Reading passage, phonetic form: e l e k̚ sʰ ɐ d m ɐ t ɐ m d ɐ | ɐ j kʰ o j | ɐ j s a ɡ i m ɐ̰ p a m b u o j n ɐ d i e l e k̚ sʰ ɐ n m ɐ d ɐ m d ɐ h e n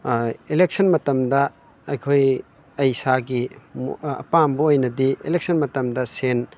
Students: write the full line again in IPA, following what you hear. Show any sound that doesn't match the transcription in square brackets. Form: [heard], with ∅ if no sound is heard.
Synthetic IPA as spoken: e l e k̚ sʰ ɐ [n] m ɐ t ɐ m d ɐ | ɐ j kʰ o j | ɐ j s a ɡ i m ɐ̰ p a m b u o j n ɐ d i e l e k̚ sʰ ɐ n m ɐ [t] ɐ m d ɐ [s] e n